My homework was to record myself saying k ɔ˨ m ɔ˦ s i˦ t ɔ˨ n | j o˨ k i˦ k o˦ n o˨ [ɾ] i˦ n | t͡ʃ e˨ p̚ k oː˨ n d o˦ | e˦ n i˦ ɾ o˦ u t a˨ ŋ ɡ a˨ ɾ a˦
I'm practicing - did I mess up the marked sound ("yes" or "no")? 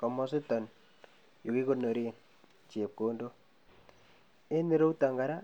no